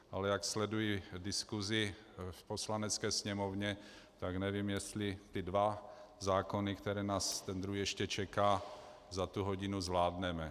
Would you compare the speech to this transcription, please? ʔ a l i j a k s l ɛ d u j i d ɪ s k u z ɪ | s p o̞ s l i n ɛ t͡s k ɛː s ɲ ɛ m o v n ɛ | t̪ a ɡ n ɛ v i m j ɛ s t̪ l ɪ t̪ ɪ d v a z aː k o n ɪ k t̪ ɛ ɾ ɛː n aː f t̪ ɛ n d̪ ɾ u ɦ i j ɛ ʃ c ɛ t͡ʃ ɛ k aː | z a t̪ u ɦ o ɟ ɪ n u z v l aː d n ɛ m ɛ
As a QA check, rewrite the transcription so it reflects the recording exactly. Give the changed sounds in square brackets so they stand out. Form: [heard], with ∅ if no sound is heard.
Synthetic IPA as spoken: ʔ a l [ɛ] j a k s l ɛ d u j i d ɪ s k u z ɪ | [f] p o̞ s l [a] n ɛ t͡s k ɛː s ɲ ɛ m o v [ɲ] ɛ | t̪ a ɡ n ɛ v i m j ɛ s t̪ l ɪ t̪ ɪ d v a z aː k o n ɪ k t̪ ɛ ɾ ɛː n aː [s] t̪ ɛ n d̪ ɾ u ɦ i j ɛ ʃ c ɛ t͡ʃ ɛ k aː | z a t̪ u ɦ o ɟ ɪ n u z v l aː d n ɛ m ɛ